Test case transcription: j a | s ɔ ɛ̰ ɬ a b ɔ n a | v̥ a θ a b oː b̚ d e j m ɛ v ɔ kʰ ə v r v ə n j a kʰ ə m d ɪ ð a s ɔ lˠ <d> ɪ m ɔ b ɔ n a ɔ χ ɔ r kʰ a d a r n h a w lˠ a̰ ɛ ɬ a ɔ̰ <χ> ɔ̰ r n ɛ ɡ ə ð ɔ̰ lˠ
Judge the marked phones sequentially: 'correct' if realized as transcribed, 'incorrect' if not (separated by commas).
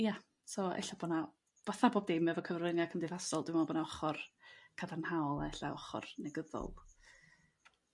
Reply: correct, correct